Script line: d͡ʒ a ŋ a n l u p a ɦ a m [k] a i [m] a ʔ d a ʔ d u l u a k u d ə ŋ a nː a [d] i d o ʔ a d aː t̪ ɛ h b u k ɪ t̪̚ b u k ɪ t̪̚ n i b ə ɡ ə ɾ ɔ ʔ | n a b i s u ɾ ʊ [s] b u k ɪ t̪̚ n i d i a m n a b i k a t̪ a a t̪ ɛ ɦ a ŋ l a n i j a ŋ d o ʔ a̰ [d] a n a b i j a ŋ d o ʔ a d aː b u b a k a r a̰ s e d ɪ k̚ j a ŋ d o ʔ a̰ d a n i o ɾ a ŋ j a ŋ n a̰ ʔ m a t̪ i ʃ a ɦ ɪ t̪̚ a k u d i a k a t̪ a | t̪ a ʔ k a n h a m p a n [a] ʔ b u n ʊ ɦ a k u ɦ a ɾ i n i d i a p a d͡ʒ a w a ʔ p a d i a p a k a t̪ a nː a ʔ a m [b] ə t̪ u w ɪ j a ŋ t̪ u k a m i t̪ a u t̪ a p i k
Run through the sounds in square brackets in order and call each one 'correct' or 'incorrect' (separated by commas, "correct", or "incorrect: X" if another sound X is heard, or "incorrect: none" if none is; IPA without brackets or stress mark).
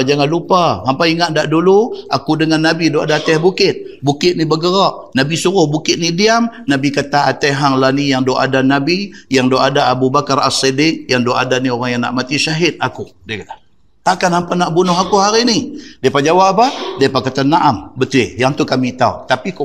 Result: incorrect: p, incorrect: ŋ, incorrect: b, incorrect: h, correct, correct, correct